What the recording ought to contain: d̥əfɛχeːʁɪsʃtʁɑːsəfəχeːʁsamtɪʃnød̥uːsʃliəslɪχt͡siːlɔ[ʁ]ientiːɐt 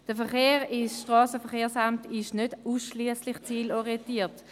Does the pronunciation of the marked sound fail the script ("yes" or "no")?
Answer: no